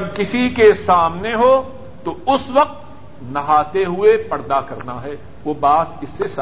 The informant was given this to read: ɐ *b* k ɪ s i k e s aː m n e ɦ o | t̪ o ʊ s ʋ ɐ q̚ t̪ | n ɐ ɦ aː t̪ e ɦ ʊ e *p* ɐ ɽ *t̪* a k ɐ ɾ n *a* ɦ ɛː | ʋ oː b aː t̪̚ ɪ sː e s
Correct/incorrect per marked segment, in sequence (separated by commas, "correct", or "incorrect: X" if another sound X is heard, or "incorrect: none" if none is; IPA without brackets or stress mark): correct, correct, incorrect: d̪, correct